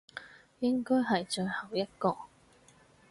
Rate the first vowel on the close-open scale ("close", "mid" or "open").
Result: close